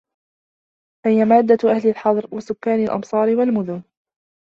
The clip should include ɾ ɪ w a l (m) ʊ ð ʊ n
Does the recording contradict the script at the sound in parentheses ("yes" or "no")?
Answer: no